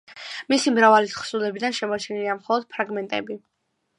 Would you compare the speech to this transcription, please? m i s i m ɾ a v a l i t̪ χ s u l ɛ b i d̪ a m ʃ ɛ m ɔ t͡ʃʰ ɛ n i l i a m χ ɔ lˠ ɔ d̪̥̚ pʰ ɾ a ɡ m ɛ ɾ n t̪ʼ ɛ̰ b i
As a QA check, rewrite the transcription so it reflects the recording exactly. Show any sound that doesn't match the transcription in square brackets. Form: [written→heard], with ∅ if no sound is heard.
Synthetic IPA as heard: m i s i m ɾ a v a l i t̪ χ s u l ɛ b i d̪ a [m→n] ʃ ɛ m ɔ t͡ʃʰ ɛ n i l i a m χ ɔ lˠ ɔ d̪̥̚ pʰ ɾ a ɡ m ɛ [ɾ→∅] n t̪ʼ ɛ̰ b i